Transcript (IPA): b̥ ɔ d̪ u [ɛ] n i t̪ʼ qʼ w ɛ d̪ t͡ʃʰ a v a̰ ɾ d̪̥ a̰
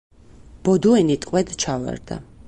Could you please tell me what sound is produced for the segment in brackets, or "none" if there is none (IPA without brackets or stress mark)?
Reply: ɛ